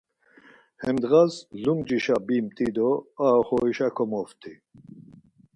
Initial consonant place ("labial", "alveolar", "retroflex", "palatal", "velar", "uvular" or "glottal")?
glottal